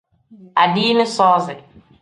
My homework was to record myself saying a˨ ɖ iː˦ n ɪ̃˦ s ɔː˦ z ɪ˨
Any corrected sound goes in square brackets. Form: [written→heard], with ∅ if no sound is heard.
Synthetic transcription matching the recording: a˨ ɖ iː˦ n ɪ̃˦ s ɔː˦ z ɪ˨